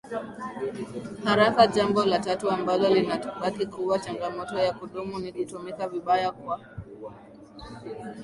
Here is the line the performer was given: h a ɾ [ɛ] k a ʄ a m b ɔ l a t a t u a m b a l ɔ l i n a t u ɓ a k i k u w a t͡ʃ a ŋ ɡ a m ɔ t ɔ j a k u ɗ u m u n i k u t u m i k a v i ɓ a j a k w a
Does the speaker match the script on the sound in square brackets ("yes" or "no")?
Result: no